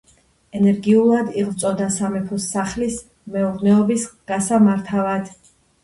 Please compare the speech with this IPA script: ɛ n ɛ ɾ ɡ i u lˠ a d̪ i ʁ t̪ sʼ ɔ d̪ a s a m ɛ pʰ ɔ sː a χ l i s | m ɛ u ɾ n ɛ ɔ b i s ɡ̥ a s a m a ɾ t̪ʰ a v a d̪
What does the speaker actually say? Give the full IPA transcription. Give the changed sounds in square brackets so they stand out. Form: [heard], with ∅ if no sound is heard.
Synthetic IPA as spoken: ɛ n ɛ ɾ ɡ i u lˠ a d̪ i ʁ t̪ sʼ ɔ d̪ a s a m ɛ pʰ ɔ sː a χ l i s | m ɛ u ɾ n ɛ ɔ b i s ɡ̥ a s a m a ɾ t̪ʰ a v a d̪